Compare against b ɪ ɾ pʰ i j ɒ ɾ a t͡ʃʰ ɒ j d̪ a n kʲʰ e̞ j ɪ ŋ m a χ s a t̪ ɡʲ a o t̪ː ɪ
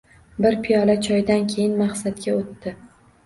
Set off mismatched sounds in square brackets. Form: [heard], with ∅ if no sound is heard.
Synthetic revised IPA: b ɪ ɾ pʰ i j ɒ [l] a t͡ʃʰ ɒ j d̪ a n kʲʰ e̞ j ɪ [n] m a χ s a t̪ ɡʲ a o t̪ː ɪ